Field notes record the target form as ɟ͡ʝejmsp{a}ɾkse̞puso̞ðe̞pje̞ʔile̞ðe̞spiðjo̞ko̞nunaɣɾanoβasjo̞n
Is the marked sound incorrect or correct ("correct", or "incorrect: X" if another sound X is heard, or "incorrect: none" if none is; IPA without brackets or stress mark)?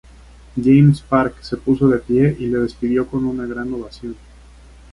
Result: correct